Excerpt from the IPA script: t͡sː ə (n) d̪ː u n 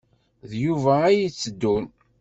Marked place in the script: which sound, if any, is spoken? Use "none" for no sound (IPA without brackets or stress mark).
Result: none